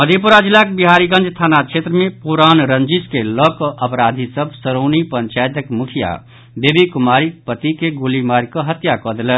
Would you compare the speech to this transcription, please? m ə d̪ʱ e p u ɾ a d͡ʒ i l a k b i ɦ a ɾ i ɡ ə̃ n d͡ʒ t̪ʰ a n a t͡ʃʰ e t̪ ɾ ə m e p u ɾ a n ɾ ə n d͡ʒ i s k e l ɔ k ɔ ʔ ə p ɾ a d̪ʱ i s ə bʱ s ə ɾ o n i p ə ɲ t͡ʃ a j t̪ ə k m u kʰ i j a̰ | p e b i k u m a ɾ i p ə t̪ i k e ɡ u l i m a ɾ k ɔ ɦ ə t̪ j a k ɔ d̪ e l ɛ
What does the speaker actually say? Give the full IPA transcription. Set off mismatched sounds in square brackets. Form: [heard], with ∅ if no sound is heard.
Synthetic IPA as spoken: m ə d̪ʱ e p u ɾ a d͡ʒ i l a k b i ɦ a ɾ i ɡ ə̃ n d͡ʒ t̪ʰ a n a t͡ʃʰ e t̪ ɾ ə m e p u ɾ a n ɾ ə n d͡ʒ i s k e l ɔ k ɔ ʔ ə p ɾ a d̪ʱ i s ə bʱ s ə ɾ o n i p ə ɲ t͡ʃ a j t̪ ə k m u kʰ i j a̰ | [b] e b i k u m a ɾ i p ə t̪ i k e ɡ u l i m a ɾ k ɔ ɦ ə t̪ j a k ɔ d̪ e l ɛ